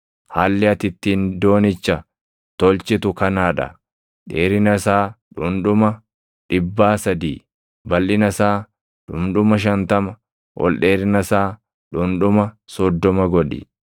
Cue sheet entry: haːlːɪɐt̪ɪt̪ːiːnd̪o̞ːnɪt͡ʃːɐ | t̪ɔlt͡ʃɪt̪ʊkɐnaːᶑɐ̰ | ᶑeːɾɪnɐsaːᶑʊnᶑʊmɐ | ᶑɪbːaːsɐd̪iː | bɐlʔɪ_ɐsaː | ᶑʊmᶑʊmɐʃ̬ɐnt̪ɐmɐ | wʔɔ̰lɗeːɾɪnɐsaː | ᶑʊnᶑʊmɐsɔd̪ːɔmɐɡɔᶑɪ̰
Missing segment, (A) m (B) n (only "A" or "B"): B